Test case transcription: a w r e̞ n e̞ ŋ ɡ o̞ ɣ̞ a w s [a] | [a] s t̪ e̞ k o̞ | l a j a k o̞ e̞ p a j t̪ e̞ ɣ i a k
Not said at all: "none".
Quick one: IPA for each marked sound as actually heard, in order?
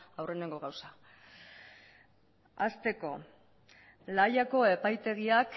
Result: a, a

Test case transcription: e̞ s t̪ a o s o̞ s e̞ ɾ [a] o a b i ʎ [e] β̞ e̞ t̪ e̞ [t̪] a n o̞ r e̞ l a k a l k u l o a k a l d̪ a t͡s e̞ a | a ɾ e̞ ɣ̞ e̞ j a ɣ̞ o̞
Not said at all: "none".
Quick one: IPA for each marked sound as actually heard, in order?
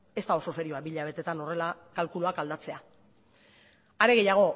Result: i, a, t̪

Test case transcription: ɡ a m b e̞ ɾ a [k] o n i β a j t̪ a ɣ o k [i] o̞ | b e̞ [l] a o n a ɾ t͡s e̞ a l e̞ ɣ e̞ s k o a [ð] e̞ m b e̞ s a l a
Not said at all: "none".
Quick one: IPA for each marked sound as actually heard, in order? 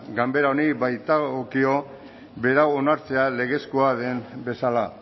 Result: none, i, ɾ, ð

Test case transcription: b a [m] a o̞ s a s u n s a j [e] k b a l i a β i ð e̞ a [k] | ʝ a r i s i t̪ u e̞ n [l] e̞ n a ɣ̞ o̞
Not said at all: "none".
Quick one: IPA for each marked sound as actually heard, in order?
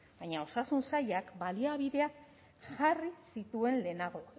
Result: ɲ, a, k, l

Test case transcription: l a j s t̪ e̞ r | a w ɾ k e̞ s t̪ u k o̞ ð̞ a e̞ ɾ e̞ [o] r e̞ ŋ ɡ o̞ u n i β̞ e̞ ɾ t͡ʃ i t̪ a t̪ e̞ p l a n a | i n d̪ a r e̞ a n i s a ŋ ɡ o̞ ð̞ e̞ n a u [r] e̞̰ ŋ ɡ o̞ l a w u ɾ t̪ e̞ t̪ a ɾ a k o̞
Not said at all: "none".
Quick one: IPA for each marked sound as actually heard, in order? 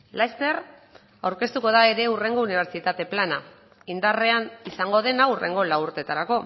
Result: u, r

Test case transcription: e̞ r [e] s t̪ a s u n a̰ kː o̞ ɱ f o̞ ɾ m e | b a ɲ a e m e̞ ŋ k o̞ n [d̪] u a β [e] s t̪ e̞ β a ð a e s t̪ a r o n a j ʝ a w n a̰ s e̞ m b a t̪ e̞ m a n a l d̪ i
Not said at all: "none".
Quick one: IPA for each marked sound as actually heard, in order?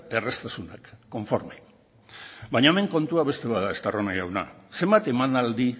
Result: e, t̪, e

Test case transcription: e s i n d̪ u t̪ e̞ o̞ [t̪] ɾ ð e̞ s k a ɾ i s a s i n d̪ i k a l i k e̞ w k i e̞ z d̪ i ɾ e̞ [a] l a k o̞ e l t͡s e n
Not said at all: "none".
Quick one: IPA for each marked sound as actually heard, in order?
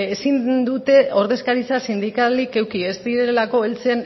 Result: none, e

